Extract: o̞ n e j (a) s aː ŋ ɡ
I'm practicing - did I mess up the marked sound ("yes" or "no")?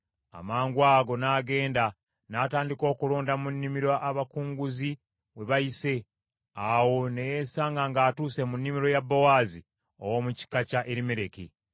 yes